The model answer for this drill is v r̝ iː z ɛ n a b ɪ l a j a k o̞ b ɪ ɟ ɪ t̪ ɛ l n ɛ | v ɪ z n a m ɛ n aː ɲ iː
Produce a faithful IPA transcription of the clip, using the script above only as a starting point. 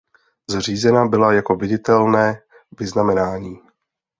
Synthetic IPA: z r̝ iː z ɛ n a b ɪ l a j a k o̞ v ɪ ɟ ɪ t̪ ɛ l n ɛː | v ɪ z n a m ɛ n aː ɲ iː